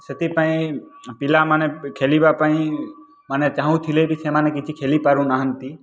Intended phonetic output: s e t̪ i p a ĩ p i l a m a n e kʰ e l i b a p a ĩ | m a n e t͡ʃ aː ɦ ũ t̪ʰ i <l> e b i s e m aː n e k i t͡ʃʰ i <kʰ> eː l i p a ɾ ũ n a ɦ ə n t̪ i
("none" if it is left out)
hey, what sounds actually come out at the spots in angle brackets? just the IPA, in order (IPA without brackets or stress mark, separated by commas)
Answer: l, kʰ